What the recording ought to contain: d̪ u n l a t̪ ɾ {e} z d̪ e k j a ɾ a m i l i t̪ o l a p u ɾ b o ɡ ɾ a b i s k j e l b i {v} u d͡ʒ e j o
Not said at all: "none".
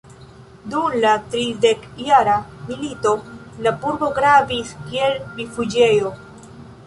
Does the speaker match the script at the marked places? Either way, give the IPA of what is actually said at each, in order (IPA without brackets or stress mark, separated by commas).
i, f